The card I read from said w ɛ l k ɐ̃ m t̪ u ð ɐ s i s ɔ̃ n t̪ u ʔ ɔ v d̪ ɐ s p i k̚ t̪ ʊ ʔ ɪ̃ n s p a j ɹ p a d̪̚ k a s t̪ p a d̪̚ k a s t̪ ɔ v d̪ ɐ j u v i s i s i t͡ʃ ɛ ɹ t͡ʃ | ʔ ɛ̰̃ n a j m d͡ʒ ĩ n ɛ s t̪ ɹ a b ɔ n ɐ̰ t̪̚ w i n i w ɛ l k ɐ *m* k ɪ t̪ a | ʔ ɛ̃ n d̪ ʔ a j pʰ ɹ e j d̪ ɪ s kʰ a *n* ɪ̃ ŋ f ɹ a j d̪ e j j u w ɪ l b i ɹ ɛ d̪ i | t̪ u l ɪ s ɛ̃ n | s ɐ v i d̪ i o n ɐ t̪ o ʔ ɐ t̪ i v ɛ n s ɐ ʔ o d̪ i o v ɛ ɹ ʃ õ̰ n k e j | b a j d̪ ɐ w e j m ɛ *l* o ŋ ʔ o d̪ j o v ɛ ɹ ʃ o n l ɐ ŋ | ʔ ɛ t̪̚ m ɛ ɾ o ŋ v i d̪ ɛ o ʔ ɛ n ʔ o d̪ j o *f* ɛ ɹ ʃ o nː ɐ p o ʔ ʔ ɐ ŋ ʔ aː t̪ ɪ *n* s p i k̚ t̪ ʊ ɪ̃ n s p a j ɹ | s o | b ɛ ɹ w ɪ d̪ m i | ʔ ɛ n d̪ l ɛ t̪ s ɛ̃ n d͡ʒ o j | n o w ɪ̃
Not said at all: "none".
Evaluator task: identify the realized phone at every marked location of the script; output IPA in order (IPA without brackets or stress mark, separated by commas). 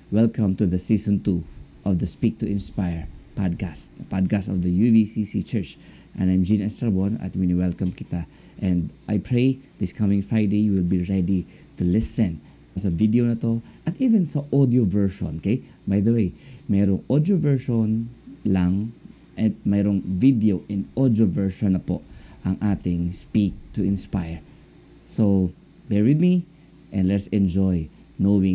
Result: m, m, ɾ, v, ŋ